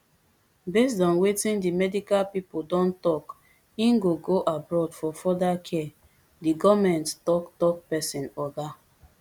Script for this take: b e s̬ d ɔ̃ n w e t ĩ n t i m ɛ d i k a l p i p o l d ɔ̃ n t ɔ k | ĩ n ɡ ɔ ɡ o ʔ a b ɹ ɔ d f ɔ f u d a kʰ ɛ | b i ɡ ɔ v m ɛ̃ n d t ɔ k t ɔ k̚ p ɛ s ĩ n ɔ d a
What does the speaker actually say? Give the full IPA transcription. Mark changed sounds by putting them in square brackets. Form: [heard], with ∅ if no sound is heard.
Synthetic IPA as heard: b e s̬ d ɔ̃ n w e t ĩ n [d] i m ɛ d i k a l p i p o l d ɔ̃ n t ɔ k | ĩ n ɡ [o] ɡ o ʔ a b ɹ ɔ d f ɔ f [ɔ] d a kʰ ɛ | [d] i ɡ ɔ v m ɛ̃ n [t] t ɔ k t ɔ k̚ p ɛ s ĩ n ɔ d a